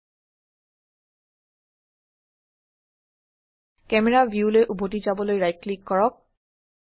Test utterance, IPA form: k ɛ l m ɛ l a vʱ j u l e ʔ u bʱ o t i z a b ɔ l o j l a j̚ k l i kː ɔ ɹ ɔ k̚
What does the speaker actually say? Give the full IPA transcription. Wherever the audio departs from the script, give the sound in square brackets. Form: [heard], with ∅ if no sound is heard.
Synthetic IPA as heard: k ɛ [∅] m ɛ [ɹ] a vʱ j u l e ʔ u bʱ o t i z a b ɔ l o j [ɹ] a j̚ k l i kː ɔ ɹ ɔ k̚